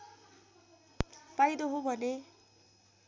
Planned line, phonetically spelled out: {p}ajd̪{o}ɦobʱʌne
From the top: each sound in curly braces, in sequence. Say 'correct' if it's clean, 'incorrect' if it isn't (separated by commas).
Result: correct, correct